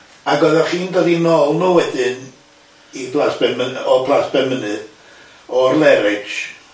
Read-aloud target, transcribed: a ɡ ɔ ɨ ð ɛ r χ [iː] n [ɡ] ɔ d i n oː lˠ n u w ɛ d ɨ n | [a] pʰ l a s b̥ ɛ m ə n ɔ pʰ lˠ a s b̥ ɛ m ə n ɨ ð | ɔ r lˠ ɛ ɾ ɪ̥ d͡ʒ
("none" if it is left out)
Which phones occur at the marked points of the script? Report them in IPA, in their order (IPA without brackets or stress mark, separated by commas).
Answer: iː, d, i